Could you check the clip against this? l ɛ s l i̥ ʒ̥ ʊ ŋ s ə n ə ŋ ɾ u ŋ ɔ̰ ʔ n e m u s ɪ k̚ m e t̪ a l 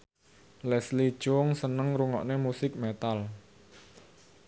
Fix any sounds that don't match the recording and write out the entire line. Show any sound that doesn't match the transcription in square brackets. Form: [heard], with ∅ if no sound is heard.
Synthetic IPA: l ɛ s l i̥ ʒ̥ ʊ ŋ s ə n ə ŋ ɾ u ŋ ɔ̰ ʔ n e m u s ɪ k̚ m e t̪ a l